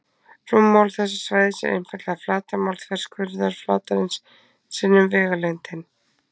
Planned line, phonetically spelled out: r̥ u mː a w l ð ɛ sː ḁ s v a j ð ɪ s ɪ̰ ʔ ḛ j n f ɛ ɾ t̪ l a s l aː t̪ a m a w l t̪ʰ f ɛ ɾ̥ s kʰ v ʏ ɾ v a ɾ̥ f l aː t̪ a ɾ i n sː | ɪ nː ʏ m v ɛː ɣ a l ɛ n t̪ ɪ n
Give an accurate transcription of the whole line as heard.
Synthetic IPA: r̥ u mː a w l θ ɛ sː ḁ s v a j ð ɪ s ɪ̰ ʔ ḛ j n f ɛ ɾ t̪ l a f l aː t̪ a m a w l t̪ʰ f ɛ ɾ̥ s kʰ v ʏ ɾ ð a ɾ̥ f l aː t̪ a ɾ ɪ n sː | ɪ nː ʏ m v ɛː ɣ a l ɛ n t̪ ɪ n